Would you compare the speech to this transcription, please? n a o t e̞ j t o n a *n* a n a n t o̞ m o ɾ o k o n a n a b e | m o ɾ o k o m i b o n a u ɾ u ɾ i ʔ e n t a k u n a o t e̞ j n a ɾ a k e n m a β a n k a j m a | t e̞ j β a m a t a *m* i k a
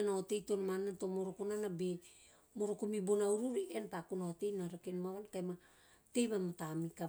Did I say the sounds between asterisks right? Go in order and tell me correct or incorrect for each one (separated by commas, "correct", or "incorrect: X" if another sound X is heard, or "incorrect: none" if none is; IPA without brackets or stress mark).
incorrect: m, correct